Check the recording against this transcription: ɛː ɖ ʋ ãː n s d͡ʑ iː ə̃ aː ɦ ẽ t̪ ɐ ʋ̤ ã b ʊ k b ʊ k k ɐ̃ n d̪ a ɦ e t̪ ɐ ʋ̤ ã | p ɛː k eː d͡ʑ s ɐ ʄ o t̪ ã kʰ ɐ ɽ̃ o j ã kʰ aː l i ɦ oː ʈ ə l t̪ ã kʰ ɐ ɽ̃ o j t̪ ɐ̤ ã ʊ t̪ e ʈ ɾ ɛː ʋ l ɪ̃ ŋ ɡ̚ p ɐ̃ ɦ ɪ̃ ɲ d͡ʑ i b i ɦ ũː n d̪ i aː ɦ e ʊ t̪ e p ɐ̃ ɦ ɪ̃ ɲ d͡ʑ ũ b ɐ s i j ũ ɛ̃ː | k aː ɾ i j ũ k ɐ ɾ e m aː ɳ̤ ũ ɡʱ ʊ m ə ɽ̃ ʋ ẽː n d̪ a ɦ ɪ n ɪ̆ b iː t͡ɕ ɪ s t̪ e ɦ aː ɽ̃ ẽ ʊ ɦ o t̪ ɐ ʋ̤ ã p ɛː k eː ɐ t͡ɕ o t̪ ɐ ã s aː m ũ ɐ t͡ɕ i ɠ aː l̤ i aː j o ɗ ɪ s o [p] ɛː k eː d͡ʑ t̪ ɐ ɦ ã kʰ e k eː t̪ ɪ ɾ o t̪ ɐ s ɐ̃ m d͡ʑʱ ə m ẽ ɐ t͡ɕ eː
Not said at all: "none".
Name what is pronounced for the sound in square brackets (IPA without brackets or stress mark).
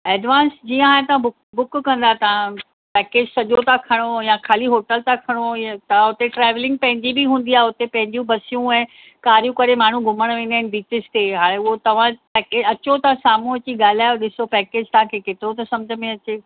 p